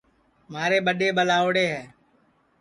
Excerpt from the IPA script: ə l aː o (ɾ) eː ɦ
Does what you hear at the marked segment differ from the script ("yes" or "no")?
yes